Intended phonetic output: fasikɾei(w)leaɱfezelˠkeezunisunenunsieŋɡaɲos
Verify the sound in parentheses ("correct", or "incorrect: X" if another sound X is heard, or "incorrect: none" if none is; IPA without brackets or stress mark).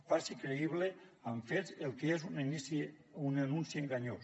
incorrect: β